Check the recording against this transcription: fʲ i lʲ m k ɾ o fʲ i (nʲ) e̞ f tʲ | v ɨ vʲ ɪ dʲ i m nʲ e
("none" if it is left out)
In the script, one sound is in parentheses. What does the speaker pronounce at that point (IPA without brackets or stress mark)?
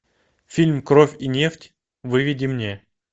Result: nʲ